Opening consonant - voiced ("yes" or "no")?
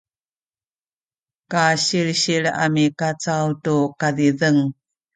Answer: no